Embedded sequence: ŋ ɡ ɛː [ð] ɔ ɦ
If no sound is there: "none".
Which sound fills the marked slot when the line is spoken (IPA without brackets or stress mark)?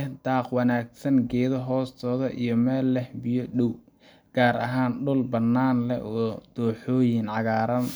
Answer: ð